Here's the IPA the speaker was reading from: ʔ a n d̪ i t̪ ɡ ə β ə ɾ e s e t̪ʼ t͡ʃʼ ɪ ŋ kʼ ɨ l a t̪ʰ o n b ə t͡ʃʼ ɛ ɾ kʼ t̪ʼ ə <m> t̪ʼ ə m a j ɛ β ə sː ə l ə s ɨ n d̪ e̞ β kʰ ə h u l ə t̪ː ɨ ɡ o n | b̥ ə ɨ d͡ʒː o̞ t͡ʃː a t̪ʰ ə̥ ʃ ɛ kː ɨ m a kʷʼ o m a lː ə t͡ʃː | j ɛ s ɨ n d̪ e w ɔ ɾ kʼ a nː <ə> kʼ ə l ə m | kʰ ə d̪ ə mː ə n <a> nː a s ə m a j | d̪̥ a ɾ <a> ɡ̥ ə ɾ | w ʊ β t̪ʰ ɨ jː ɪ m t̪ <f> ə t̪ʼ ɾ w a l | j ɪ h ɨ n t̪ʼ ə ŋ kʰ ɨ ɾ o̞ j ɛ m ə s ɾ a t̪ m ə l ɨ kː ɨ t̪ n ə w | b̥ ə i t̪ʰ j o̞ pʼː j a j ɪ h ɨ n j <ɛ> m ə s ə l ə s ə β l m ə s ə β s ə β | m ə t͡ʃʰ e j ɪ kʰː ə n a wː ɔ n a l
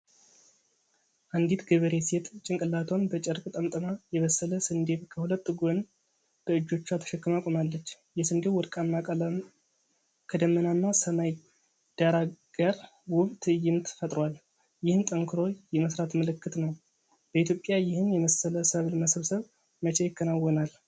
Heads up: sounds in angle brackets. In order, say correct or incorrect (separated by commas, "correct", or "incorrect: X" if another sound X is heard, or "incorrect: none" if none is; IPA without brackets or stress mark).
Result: correct, incorrect: a, correct, correct, correct, correct